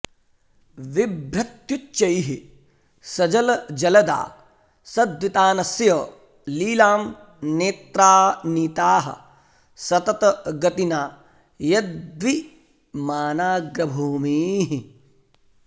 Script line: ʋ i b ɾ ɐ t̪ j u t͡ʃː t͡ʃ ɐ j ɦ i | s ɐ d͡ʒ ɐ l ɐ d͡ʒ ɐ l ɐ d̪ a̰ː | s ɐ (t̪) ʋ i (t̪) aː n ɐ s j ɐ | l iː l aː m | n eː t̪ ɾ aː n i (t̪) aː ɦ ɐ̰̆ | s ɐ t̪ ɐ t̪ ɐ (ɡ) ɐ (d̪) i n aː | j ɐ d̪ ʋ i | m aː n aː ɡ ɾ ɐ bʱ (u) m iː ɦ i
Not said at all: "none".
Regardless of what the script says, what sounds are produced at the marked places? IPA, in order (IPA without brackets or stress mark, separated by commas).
d̪, t̪, t̪, ɡ, t̪, uː